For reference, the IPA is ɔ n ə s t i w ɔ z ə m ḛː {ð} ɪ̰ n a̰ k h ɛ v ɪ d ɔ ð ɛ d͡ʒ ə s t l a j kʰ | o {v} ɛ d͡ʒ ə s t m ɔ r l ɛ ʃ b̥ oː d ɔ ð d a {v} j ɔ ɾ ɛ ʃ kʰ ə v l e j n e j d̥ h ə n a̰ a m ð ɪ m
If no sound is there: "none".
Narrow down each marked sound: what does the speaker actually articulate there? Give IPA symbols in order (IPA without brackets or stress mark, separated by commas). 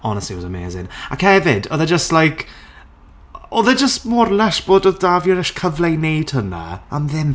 z, ð, v